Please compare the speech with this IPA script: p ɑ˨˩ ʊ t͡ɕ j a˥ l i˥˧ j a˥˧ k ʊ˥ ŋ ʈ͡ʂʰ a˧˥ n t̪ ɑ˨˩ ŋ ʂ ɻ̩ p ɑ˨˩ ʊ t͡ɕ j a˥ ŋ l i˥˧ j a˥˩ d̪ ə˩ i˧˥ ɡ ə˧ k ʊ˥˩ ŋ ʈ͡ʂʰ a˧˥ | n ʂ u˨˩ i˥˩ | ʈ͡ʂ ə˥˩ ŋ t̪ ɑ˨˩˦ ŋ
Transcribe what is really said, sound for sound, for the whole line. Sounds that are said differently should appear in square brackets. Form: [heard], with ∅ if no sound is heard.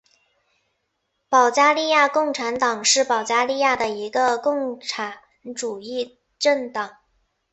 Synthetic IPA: p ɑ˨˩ ʊ t͡ɕ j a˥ l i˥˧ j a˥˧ k [ʊ˥˩] ŋ ʈ͡ʂʰ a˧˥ n t̪ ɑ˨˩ ŋ ʂ ɻ̩ p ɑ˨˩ ʊ t͡ɕ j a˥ [∅] l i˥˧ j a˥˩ d̪ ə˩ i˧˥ ɡ ə˧ k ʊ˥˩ ŋ ʈ͡ʂʰ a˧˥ | n [ʈ͡ʂ] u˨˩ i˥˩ | ʈ͡ʂ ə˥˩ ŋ t̪ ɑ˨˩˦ ŋ